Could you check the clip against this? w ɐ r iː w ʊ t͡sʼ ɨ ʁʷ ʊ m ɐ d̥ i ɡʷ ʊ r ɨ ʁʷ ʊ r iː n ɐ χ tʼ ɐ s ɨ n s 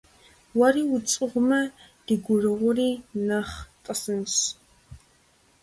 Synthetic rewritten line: w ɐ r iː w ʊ t͡sʼ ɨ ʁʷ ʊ m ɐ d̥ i ɡʷ ʊ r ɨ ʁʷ ʊ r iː n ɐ χ tʼ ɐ s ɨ n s